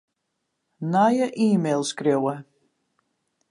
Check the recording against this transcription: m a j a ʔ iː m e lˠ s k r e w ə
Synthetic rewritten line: n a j ə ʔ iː m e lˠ s k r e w ə